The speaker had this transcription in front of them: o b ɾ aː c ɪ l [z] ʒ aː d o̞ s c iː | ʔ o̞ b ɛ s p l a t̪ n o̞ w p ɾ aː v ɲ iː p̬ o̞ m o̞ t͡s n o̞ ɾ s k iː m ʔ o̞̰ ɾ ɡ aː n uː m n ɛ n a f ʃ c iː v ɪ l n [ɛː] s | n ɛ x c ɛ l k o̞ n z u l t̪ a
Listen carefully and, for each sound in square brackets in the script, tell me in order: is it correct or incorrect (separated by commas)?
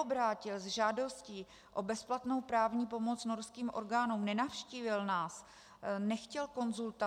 correct, incorrect